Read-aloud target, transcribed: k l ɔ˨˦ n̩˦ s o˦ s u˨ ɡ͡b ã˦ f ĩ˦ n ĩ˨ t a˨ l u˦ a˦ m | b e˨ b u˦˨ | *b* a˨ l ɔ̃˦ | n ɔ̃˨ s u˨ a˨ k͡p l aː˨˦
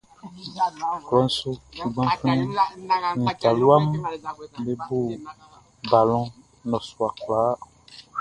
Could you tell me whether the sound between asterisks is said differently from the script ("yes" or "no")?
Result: no